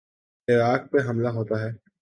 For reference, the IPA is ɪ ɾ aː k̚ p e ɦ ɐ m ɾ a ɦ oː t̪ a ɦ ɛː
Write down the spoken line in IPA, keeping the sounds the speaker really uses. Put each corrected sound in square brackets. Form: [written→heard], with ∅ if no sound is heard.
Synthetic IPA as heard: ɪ ɾ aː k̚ p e ɦ ɐ m [ɾ→l] a ɦ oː t̪ a ɦ ɛː